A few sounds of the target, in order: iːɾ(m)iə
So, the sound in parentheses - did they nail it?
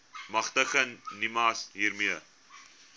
yes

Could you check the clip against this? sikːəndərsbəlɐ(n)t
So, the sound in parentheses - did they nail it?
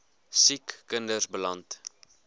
yes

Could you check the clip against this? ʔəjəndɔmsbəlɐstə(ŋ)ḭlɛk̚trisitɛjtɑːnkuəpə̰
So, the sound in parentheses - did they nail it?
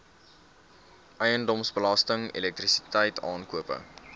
yes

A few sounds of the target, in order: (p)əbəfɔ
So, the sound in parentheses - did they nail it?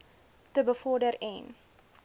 no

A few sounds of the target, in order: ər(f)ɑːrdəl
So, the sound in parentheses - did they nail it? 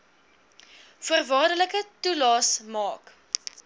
no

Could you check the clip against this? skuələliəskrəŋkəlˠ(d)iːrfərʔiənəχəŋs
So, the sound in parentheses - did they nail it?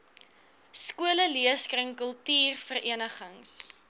no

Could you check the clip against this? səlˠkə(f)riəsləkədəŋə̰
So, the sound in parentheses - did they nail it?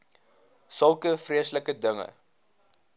yes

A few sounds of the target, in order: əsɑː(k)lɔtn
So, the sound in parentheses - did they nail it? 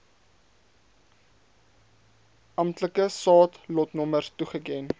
no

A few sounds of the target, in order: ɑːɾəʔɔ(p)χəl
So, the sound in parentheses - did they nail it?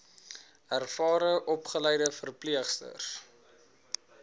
yes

